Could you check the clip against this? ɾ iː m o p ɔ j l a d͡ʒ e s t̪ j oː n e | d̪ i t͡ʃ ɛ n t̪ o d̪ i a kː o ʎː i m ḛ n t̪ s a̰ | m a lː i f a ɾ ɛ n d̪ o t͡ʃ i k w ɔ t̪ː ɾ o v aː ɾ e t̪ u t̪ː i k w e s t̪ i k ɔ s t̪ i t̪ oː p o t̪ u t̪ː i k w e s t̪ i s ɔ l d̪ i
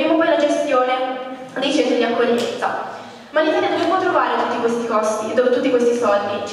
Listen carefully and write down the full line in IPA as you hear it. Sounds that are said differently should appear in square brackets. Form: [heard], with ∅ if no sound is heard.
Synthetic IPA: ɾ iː m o p ɔ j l a d͡ʒ e s t̪ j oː n e | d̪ i t͡ʃ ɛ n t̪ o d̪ i a kː o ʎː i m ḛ n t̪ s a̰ | m a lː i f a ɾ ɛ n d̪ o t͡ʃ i [p] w ɔ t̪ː ɾ o v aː ɾ e t̪ u t̪ː i k w e s t̪ i k ɔ s t̪ i [d̪] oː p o t̪ u t̪ː i k w e s t̪ i s ɔ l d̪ i